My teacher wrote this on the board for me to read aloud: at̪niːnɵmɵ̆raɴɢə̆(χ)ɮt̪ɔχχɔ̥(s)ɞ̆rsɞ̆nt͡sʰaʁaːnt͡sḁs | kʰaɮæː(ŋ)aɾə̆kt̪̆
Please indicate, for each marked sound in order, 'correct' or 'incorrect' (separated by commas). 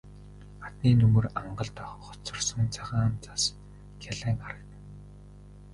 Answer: incorrect, incorrect, correct